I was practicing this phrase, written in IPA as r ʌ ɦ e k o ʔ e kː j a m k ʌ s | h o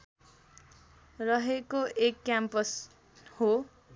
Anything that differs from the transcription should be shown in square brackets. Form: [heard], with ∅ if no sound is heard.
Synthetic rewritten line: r ʌ ɦ e k o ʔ e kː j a m [p] ʌ s | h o